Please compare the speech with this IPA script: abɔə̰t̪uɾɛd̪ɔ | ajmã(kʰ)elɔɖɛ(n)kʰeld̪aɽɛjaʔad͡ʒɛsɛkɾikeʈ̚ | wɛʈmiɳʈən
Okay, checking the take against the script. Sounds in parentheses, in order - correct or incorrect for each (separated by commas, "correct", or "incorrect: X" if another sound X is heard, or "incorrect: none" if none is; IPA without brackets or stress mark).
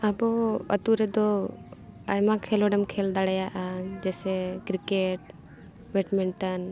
correct, incorrect: m